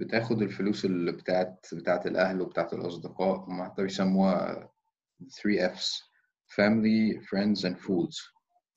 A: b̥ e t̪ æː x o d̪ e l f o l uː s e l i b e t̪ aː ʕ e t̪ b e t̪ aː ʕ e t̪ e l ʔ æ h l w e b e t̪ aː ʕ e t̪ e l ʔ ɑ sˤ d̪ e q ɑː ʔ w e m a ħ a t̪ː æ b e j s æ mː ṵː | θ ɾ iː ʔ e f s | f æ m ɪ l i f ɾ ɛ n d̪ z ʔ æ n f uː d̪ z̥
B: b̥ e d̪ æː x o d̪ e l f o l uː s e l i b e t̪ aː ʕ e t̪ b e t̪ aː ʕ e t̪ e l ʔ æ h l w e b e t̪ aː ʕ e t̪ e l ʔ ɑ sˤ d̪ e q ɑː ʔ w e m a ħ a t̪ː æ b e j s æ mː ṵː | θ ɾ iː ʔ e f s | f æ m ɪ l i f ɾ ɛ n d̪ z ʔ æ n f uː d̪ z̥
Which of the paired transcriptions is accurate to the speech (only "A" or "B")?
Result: A